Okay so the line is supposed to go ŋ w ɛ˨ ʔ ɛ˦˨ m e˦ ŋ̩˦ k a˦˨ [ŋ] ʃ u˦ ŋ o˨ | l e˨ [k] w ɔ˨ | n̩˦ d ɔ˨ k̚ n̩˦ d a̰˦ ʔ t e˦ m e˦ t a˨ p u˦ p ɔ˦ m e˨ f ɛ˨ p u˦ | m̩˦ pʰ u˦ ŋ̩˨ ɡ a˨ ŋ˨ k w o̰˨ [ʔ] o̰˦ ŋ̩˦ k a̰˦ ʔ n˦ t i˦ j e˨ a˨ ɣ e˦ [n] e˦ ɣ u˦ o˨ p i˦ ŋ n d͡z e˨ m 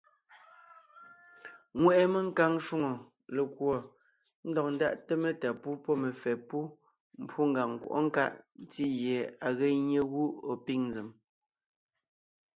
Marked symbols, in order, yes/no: yes, yes, yes, no

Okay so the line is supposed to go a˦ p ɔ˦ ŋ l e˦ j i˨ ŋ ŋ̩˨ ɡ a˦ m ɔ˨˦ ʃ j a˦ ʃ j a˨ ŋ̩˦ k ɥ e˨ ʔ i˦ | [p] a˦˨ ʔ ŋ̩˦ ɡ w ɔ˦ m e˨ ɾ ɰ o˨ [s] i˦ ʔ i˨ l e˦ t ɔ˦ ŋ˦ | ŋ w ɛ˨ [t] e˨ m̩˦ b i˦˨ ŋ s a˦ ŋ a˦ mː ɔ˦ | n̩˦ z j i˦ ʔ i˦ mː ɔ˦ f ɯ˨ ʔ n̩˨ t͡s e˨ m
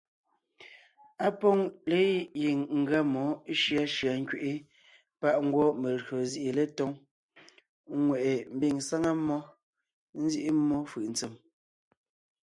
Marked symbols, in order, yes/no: yes, no, no

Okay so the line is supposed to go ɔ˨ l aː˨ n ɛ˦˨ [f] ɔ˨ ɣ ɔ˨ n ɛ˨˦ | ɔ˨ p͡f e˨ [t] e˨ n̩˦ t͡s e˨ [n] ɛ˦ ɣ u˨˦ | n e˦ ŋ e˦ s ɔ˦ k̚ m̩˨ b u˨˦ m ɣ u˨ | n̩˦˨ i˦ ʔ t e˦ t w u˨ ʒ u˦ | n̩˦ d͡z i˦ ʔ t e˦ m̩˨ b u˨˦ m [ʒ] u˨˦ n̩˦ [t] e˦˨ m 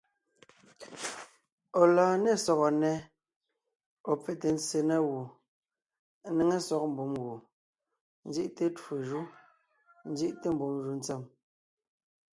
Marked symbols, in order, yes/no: no, yes, yes, yes, no

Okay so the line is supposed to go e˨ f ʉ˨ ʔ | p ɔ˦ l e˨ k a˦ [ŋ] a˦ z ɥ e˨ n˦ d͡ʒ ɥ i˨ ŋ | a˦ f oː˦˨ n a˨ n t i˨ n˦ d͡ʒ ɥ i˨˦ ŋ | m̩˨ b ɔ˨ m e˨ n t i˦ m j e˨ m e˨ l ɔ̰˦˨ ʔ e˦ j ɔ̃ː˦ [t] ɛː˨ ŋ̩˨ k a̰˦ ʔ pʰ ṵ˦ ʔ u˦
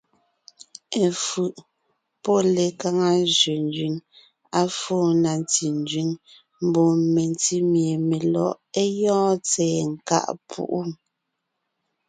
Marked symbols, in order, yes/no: yes, no

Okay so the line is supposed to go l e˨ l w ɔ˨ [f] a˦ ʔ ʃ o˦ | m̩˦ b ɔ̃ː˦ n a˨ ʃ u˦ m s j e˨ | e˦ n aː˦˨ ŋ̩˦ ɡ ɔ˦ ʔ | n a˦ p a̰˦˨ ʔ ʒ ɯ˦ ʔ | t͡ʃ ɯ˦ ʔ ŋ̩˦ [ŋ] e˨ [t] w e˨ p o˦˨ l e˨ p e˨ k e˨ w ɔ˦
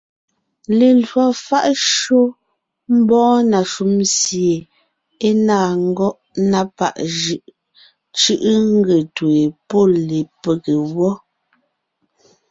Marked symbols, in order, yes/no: yes, no, yes

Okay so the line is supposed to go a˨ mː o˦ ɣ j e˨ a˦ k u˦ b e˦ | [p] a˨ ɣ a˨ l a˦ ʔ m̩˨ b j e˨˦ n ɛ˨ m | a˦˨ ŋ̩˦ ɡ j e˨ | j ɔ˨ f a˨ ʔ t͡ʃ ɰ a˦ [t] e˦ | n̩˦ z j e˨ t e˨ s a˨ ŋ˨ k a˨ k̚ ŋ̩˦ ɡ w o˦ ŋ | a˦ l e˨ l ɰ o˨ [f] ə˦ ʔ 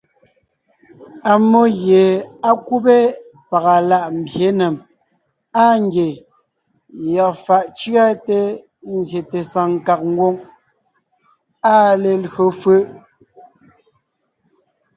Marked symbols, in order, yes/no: yes, yes, yes

